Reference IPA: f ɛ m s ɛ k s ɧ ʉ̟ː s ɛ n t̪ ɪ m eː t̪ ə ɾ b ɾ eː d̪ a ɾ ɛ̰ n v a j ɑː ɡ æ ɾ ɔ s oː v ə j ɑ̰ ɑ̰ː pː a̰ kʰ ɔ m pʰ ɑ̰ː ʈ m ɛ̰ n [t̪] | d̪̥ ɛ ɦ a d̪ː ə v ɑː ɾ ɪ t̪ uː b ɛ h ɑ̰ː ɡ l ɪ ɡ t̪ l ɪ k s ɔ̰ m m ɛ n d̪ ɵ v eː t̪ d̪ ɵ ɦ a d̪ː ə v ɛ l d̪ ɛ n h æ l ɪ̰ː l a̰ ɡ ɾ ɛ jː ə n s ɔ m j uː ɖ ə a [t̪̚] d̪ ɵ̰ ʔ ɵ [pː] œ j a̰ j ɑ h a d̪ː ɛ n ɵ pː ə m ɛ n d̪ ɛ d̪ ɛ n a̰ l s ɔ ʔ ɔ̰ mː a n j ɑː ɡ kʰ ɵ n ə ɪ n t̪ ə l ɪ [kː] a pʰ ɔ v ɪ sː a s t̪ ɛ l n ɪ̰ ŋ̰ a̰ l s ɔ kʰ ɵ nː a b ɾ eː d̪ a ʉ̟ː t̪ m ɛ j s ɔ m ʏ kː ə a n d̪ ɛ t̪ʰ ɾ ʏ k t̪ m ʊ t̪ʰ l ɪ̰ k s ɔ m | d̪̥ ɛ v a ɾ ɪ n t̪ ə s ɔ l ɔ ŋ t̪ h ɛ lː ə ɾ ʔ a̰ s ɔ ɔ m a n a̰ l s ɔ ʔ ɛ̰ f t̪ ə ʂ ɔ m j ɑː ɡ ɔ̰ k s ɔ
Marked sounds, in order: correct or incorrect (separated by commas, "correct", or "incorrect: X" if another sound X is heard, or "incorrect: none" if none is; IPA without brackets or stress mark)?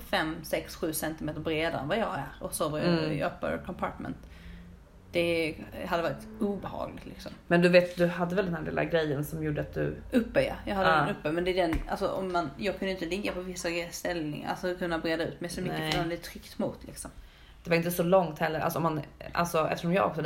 correct, correct, correct, incorrect: ɡː